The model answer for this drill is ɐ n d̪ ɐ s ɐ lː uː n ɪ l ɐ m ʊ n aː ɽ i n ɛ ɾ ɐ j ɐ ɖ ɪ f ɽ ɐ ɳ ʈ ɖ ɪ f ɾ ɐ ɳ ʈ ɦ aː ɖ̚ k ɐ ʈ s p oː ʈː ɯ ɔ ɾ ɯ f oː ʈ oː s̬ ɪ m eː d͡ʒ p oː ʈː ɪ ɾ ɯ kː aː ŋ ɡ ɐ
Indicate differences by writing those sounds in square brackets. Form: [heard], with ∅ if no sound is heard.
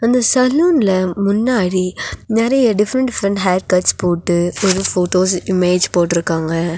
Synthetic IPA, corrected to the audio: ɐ n d̪ ɐ s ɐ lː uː n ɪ l ɐ m ʊ [nː] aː ɽ i n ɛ ɾ ɐ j ɐ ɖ ɪ f [ɾ] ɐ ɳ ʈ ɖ ɪ f ɾ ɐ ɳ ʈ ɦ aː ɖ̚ k ɐ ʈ s p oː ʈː ɯ ɔ ɾ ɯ f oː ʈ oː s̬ ɪ m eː d͡ʒ p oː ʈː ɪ ɾ ɯ kː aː ŋ ɡ ɐ